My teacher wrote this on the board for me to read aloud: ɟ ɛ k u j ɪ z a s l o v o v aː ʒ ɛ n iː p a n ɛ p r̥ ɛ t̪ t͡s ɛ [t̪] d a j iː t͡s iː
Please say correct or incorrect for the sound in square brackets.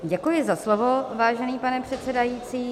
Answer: incorrect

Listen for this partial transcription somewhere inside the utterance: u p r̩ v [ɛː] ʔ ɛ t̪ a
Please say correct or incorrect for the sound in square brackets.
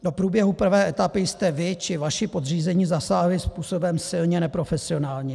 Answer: correct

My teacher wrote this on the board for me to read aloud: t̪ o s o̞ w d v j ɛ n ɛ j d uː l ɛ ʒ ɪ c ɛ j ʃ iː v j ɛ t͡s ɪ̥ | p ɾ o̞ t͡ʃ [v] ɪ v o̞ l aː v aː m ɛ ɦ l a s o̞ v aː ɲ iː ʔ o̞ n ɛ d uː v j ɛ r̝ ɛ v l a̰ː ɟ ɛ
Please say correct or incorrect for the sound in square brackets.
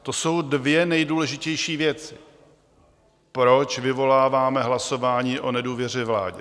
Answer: correct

